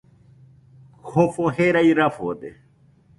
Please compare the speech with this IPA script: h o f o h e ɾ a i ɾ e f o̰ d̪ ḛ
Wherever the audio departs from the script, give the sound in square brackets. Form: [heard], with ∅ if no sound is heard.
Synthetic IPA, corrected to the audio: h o f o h e ɾ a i ɾ [a] f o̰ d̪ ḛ